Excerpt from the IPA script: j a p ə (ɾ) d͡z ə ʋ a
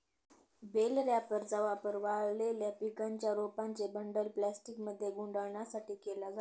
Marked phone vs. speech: correct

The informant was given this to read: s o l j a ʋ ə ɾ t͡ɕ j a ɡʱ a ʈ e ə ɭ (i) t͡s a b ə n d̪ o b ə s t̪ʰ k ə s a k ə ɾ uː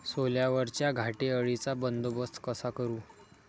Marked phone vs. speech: correct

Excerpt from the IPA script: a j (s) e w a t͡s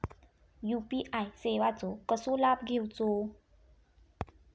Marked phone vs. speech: correct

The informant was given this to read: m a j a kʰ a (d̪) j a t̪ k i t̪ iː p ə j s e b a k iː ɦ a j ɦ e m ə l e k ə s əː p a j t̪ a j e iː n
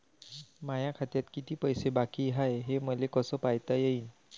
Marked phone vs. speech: incorrect: t̪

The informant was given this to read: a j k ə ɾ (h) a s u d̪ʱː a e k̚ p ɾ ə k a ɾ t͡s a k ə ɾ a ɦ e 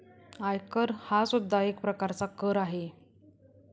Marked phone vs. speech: correct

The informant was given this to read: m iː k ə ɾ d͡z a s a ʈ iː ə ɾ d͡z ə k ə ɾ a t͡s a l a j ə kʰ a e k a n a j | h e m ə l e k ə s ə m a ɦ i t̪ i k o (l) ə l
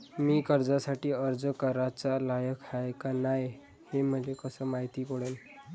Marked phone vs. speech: incorrect: ɽ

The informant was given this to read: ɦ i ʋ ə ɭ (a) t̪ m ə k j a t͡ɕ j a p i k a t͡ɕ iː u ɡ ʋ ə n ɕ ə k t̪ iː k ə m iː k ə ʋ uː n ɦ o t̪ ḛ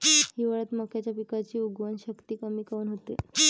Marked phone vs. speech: incorrect: ə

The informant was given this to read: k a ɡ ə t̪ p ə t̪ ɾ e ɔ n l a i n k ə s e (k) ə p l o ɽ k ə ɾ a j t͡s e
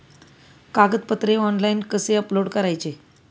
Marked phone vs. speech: incorrect: none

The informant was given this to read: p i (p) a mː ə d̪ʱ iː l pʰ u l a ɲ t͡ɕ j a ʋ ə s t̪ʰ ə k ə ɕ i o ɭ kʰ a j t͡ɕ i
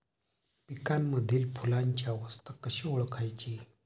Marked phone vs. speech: incorrect: k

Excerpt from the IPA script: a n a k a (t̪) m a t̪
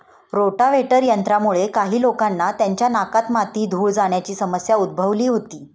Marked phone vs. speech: correct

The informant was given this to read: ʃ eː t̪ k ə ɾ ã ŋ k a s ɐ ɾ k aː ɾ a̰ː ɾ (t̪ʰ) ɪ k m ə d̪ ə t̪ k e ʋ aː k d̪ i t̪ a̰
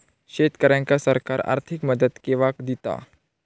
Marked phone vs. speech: correct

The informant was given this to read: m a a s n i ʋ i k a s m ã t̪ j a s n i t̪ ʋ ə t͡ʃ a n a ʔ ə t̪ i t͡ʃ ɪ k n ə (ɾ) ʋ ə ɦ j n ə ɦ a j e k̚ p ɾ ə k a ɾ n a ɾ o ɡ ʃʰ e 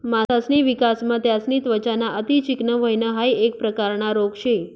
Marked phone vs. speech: incorrect: none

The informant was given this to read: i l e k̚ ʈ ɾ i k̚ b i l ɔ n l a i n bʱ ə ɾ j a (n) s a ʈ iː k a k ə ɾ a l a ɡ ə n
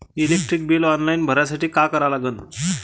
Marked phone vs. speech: incorrect: none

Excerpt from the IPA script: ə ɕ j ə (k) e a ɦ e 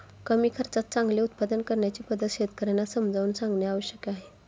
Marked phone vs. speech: correct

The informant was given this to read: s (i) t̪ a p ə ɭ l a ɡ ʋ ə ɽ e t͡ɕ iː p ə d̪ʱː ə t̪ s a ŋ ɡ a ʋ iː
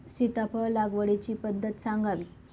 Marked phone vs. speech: correct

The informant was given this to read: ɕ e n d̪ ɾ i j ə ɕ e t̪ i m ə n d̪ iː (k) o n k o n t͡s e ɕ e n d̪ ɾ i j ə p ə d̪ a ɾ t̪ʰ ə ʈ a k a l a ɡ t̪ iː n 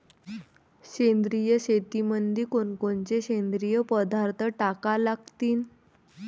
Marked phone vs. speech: correct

